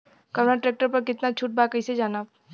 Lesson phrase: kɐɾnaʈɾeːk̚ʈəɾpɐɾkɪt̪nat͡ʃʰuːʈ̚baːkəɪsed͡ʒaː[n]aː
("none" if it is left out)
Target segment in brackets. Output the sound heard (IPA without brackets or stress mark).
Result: n